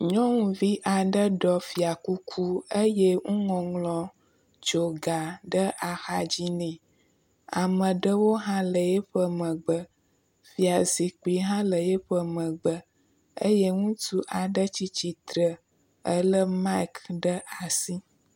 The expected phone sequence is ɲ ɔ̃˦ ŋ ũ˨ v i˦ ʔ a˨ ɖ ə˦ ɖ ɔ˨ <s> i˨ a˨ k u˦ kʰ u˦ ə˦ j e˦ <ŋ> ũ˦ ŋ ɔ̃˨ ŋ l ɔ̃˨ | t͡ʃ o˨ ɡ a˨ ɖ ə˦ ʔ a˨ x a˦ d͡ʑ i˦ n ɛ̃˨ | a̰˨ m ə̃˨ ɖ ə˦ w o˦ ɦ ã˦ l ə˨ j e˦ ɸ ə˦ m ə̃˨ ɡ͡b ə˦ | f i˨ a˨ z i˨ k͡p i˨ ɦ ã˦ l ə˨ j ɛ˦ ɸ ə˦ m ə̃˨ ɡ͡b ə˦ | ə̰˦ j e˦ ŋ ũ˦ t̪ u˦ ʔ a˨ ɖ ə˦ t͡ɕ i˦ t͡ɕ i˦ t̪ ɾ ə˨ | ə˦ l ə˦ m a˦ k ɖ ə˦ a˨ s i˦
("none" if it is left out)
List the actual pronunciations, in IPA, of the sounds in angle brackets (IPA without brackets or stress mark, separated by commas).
f, ŋ